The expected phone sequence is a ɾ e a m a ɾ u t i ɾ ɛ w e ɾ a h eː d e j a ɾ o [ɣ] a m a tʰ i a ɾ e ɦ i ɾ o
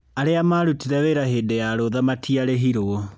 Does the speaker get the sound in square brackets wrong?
yes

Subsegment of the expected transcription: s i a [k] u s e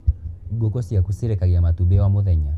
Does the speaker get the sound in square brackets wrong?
no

